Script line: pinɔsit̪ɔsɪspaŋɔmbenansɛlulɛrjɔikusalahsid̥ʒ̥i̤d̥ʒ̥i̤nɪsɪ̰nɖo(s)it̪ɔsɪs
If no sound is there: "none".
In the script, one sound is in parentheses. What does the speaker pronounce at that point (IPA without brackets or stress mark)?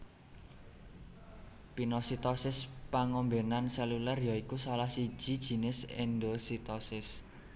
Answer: s